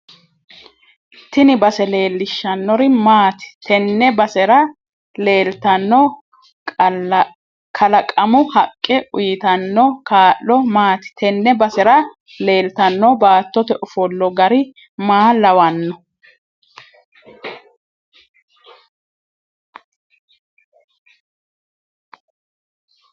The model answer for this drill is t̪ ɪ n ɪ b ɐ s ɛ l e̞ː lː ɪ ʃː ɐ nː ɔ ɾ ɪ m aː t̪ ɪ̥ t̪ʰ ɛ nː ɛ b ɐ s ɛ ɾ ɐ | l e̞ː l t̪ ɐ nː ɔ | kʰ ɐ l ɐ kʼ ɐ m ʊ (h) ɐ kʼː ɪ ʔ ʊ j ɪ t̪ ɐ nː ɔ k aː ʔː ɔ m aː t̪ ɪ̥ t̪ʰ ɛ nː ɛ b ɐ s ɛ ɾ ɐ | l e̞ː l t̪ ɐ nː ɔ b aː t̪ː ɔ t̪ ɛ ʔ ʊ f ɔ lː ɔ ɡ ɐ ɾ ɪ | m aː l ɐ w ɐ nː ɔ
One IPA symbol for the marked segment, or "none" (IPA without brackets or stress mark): h